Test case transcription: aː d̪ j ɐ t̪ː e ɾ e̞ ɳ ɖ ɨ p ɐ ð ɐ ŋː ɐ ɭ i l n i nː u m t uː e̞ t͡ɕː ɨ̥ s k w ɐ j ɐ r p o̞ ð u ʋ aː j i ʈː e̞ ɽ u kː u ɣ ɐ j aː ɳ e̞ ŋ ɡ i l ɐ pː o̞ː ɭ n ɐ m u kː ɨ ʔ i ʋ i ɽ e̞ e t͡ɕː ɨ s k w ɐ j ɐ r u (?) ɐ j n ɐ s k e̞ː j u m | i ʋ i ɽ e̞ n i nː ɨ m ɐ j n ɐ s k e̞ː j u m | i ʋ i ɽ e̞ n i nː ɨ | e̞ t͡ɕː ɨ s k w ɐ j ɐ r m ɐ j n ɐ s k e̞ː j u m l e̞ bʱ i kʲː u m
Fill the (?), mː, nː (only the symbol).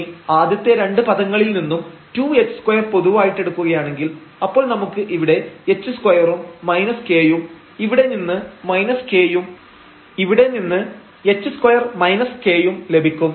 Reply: mː